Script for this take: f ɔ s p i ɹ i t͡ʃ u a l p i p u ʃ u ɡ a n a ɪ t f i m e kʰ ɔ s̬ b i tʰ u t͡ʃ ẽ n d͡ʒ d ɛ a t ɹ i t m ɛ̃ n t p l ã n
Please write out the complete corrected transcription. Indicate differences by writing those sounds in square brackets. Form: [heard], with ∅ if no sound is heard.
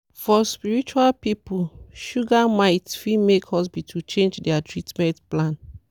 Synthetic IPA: f ɔ s p i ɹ i t͡ʃ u a l p i p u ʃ u ɡ a [m] a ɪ t f i m e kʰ ɔ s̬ b i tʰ u t͡ʃ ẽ n d͡ʒ d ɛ a t ɹ i t m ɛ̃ n t p l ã n